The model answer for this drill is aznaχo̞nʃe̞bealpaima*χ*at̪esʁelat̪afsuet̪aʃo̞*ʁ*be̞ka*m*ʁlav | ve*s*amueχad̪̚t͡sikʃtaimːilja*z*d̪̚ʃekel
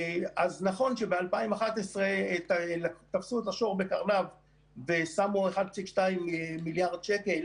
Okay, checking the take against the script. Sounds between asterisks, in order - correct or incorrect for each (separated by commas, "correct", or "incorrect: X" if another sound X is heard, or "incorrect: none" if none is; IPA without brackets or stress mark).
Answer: correct, correct, incorrect: none, correct, incorrect: ʁ